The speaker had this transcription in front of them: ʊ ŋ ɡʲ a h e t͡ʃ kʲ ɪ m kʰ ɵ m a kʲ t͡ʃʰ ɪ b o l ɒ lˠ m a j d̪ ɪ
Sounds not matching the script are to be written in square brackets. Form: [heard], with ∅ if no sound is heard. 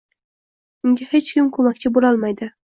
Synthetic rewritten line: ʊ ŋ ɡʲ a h e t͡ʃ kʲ ɪ m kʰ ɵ m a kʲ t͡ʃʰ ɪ b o l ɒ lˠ m a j d̪ ɪ